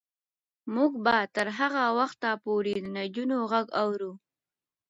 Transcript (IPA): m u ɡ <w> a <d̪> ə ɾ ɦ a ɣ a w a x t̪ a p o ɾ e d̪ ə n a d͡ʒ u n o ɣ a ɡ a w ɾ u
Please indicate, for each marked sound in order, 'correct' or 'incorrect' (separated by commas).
incorrect, incorrect